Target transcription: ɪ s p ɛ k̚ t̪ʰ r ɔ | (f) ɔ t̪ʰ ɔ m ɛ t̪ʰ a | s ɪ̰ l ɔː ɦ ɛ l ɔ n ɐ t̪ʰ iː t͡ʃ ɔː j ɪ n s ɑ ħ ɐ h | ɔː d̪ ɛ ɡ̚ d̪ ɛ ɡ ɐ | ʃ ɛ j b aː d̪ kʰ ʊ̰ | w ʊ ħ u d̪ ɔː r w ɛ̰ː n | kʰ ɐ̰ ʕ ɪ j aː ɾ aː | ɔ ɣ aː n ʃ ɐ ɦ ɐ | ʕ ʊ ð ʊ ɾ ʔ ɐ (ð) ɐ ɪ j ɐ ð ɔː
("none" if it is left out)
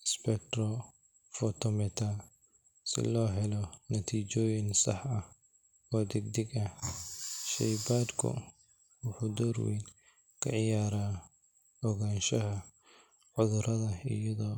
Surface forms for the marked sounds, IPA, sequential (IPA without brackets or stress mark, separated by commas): f, ð